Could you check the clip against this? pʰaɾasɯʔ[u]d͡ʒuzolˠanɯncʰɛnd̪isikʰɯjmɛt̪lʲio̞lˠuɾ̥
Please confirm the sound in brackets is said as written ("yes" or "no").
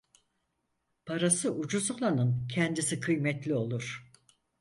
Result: yes